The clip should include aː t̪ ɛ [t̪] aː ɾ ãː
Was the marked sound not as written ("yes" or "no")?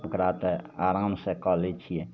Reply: yes